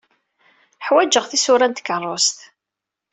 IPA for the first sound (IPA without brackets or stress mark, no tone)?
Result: ħ